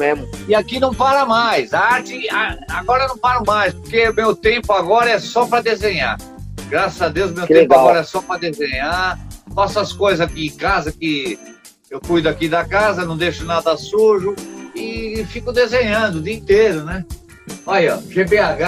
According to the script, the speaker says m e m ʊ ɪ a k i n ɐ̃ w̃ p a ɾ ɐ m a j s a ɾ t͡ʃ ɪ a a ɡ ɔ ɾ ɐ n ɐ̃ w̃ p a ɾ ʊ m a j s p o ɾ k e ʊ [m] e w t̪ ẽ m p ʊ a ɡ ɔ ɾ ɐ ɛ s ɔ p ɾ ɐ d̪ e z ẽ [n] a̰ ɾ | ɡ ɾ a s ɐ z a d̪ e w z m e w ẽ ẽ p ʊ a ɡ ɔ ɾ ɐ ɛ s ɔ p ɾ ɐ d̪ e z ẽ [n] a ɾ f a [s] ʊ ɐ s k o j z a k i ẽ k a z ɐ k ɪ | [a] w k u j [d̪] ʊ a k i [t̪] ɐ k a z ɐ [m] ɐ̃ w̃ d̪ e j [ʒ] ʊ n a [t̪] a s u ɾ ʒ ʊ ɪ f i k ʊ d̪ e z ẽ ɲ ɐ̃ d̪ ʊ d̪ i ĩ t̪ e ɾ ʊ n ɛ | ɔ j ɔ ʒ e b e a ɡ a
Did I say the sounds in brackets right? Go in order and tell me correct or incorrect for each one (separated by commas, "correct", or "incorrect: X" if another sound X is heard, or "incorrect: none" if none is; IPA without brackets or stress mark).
correct, incorrect: ɲ, incorrect: ɲ, correct, incorrect: e, correct, incorrect: d̪, incorrect: n, incorrect: ʃ, incorrect: d̪